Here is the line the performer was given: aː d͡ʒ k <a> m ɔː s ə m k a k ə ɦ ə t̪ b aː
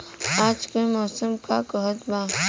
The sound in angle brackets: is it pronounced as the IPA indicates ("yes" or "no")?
no